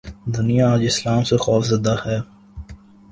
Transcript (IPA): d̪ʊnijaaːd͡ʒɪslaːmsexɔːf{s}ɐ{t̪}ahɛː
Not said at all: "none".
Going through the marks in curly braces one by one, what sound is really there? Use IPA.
z, d̪

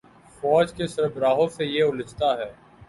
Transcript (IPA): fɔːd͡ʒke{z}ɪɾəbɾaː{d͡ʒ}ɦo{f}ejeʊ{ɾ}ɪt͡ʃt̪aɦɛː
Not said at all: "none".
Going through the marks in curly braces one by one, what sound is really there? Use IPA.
s, none, s, l

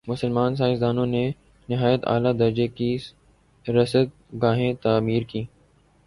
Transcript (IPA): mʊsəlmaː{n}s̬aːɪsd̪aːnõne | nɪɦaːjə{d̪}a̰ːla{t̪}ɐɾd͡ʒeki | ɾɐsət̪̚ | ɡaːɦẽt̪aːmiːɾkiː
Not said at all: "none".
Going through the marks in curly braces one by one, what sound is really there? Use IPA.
n, t̪, d̪

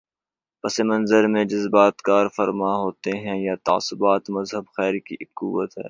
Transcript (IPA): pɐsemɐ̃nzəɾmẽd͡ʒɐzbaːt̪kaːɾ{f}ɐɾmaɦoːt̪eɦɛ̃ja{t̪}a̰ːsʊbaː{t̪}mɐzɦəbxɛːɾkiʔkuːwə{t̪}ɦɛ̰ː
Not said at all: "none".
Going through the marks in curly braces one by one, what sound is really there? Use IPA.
f, t̪, t̪, t̪

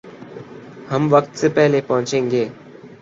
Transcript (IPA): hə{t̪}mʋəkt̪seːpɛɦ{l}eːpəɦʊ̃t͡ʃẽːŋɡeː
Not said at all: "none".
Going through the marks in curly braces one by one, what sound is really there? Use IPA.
none, l

